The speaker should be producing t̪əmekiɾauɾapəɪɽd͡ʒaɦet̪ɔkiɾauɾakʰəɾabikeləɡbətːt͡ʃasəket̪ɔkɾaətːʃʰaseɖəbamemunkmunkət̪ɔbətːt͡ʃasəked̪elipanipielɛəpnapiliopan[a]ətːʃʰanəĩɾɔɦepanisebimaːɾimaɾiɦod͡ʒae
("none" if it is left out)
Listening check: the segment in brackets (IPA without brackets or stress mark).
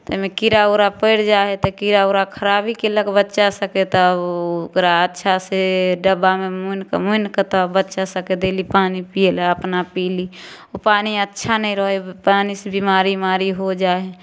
i